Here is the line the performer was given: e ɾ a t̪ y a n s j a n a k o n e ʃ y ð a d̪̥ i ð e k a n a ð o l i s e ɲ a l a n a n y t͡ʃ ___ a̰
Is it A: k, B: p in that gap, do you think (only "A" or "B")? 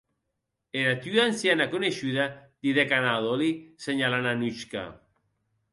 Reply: A